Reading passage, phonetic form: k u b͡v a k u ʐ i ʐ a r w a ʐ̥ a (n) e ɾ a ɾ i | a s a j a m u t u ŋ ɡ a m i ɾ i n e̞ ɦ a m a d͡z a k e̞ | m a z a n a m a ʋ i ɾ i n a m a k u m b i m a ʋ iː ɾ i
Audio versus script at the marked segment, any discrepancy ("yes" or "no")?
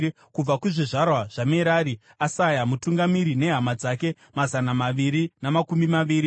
yes